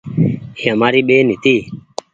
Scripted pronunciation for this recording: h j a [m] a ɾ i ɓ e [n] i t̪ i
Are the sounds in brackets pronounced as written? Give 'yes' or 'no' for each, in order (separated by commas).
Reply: yes, yes